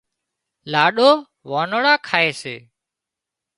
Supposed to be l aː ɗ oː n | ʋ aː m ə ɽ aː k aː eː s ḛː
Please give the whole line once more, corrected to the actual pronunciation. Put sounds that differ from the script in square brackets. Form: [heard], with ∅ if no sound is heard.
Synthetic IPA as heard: l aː ɗ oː [∅] | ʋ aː [n] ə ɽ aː [kʰ] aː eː s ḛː

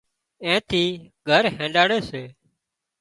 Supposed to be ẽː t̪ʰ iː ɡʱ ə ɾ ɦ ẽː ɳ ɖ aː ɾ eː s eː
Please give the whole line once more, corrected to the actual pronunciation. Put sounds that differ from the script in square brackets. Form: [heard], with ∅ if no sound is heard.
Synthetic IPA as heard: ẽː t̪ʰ iː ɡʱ ə ɾ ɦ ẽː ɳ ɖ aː [ɽ] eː s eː

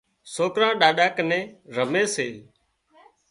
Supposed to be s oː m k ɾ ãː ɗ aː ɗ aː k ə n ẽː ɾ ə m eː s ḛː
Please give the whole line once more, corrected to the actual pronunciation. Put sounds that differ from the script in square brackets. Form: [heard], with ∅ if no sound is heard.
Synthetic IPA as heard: s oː [∅] k ɾ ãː ɗ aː ɗ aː k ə n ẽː ɾ ə m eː s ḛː

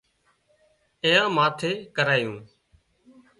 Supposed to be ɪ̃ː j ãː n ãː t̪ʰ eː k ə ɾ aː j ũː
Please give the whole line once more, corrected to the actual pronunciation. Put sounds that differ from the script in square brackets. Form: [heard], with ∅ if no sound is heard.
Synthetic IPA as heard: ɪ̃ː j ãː [m] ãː t̪ʰ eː k ə ɾ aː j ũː

